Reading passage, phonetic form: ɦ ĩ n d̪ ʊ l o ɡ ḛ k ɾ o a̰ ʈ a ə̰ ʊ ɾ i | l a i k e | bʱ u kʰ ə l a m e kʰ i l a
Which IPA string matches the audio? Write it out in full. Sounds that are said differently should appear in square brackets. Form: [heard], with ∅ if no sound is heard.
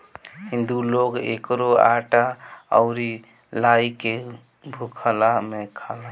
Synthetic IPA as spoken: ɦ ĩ n d̪ [u] l o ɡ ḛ k ɾ o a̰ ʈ a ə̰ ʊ ɾ i | l a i k e | bʱ u kʰ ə l a m e kʰ [a] l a